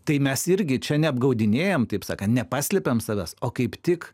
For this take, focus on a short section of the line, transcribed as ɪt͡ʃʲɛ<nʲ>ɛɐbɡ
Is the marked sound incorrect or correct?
correct